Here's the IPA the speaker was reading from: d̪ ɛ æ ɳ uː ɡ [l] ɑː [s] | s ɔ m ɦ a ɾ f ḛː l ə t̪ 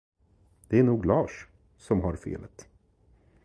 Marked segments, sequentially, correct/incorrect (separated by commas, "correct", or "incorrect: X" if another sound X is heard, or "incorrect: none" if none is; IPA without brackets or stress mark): correct, incorrect: ʂ